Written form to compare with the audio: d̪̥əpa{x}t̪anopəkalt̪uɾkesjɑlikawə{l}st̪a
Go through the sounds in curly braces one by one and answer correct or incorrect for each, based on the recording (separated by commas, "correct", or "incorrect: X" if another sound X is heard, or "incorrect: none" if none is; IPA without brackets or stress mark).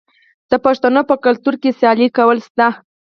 incorrect: ʂ, correct